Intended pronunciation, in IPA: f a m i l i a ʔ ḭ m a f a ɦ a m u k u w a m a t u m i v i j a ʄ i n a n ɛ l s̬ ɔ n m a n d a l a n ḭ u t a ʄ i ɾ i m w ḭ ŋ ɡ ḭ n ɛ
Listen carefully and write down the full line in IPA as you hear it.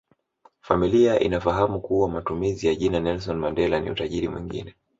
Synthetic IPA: f a m i l i a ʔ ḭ n a f a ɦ a m u k u w a m a t u m i z i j a ʄ i n a n ɛ l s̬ ɔ n m a n d ɛ l a n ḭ u t a ʄ i ɾ i m w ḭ ŋ ɡ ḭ n ɛ